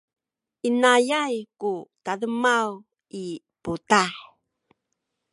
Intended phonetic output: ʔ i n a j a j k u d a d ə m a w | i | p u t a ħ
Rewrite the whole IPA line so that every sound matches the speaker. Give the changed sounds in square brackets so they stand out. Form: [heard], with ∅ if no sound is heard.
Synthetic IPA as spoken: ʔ i n a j a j k u [t] a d ə m a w | i | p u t a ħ

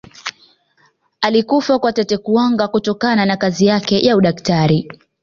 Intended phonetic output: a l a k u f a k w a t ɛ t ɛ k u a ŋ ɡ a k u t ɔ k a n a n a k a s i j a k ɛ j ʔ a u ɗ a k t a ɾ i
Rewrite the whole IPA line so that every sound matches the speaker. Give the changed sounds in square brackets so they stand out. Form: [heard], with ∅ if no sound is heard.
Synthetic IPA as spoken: a l [i] k u f a k w a t ɛ t ɛ k u a ŋ ɡ a k u t ɔ k a n a n a k a [z] i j a k ɛ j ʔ a u ɗ a k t a ɾ i

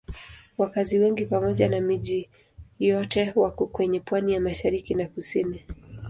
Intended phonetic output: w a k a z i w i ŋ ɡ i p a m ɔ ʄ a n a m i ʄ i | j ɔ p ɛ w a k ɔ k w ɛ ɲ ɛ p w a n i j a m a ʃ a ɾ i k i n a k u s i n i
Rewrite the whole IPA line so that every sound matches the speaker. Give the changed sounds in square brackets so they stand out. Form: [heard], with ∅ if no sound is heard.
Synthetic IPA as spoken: w a k a z i w [ɛ] ŋ ɡ i p a m ɔ ʄ a n a m i ʄ i | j ɔ [t] ɛ w a k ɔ k w ɛ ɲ ɛ p w a n i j a m a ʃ a ɾ i k i n a k u s i n i

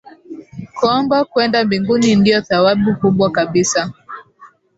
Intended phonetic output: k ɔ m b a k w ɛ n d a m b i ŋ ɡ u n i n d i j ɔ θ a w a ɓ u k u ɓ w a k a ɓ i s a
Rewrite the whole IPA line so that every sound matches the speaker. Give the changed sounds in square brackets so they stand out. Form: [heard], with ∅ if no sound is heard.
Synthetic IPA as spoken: k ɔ m b a k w ɛ n d a m b i ŋ ɡ u n i n d i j ɔ θ a w a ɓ u k u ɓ w a k a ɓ i s a

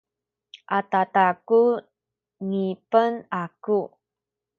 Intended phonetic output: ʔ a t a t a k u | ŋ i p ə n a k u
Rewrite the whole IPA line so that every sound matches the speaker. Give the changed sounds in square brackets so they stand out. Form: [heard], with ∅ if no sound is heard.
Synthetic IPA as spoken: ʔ a t a t a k u | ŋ i p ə n a k u

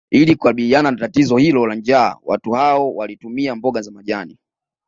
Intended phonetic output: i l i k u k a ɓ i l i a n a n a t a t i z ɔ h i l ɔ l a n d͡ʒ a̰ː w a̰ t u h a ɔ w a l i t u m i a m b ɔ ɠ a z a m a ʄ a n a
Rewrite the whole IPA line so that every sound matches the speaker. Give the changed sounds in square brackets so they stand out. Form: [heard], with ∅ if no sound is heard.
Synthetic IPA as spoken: i l i k u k a ɓ i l i a n a n a t a t i z ɔ h i l ɔ l a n d͡ʒ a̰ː w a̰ t u h a ɔ w a l i t u m i a m b ɔ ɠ a z a m a ʄ a n [i]

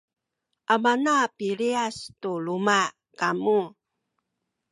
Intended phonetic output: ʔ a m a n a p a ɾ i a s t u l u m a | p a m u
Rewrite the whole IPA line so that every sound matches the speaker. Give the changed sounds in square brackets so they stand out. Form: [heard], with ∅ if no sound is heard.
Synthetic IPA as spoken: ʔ a m a n a p [i] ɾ i a s t u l u m a | [k] a m u

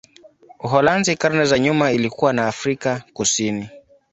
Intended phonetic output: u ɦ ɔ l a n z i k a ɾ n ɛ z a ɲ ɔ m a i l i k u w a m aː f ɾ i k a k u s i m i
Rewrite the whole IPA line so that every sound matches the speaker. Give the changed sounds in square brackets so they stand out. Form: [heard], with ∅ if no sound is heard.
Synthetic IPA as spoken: u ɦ ɔ l a n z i k a ɾ n ɛ z a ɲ [u] m a i l i k u w a [n] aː f ɾ i k a k u s i [n] i

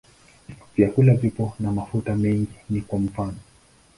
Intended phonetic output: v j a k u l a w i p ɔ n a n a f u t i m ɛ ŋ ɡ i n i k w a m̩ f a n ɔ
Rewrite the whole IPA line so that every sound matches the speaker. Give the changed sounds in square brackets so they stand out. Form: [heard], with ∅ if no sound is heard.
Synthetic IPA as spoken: v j a k u l a [v] i p ɔ n a [m] a f u t [a] m ɛ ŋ ɡ i n i k w a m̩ f a n ɔ

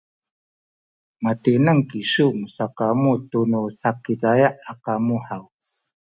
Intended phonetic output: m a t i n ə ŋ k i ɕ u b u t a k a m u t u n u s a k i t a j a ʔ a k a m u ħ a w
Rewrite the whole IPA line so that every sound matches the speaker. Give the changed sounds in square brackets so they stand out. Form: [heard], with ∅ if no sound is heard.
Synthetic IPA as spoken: m a t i n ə ŋ k i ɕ u [m] u [s] a k a m u t u n u s a k i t a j a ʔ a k a m u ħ a w

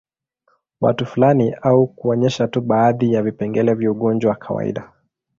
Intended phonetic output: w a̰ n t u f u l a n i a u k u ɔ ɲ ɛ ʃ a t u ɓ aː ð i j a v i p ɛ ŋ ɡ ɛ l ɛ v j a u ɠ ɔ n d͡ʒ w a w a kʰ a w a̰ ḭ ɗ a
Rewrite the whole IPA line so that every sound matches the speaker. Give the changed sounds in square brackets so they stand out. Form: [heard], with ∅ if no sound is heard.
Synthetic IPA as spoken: w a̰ [∅] t u f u l a n i a u k u ɔ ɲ ɛ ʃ a t u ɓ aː ð i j a v i p ɛ ŋ ɡ ɛ l ɛ v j a u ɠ ɔ n d͡ʒ w a w a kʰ a w a̰ ḭ ɗ a

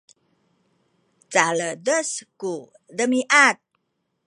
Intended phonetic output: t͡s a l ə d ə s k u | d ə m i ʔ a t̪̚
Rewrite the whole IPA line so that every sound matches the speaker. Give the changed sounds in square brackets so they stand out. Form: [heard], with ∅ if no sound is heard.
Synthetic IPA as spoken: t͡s a l ə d ə s k u | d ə m i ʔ a t̪̚

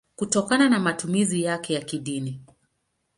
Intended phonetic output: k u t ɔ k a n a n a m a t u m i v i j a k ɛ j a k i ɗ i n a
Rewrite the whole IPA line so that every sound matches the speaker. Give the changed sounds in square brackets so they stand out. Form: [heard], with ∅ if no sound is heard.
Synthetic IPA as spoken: k u t ɔ k a n a n a m a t u m i [z] i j a k ɛ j a k i ɗ i n [i]

